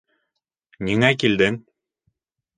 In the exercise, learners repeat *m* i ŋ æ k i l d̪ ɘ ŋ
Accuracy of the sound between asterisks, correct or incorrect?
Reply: incorrect